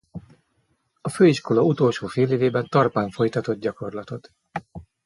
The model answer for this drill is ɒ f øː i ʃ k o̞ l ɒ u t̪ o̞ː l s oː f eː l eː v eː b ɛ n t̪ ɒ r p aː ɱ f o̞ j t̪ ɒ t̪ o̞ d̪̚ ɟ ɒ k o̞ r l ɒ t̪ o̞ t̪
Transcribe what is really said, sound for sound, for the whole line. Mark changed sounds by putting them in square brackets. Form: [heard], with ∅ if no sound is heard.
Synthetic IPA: ɒ f øː i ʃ k o̞ l ɒ u t̪ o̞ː l [ʃ] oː f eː l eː v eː b ɛ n t̪ ɒ r p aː ɱ f o̞ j t̪ ɒ t̪ o̞ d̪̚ ɟ ɒ k o̞ r l ɒ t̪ o̞ t̪